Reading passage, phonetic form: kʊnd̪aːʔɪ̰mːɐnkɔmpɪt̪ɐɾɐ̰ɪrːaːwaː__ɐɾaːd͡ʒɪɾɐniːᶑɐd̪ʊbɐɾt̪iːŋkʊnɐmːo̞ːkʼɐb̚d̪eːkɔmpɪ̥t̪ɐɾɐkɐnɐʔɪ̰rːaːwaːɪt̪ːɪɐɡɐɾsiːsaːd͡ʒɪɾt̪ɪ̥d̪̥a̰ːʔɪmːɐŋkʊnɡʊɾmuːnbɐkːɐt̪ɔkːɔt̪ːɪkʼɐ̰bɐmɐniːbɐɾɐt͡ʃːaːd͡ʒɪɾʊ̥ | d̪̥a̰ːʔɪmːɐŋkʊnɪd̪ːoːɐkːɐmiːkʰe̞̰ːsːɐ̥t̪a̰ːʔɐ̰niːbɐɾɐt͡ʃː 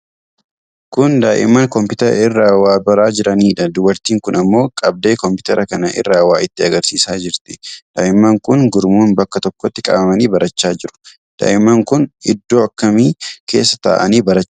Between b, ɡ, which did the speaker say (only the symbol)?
b